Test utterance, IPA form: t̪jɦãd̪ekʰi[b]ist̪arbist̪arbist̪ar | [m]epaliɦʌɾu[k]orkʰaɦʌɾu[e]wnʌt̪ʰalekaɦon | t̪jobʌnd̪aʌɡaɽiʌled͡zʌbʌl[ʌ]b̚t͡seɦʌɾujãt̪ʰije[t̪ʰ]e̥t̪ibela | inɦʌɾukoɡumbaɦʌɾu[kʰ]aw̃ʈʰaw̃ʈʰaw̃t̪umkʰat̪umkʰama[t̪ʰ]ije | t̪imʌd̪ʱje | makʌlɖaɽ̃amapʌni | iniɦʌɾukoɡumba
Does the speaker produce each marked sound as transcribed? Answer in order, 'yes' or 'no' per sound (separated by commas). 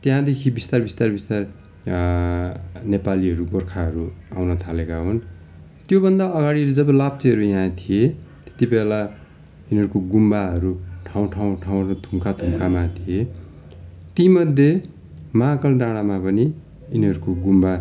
yes, no, no, no, no, no, no, yes